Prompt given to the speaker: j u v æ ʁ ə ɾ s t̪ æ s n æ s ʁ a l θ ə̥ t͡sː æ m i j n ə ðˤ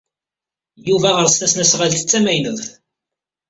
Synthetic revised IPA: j u v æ ʁ ə ɾ s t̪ æ s n æ s ʁ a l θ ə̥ t͡sː æ m æ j n ə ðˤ